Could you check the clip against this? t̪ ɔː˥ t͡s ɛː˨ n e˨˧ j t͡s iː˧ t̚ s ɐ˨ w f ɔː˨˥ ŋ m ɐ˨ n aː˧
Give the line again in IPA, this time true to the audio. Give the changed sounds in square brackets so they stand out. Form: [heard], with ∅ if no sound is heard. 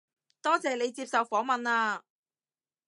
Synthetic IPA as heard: t̪ ɔː˥ t͡s ɛː˨ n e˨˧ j t͡s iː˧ [p̚] s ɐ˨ w f ɔː˨˥ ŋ m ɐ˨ n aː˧